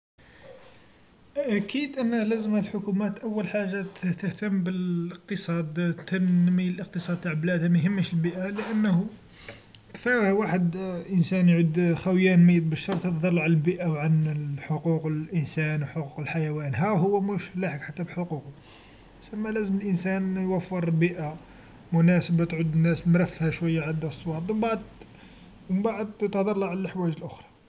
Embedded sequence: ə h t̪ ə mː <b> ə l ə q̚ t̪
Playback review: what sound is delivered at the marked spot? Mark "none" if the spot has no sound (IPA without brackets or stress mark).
b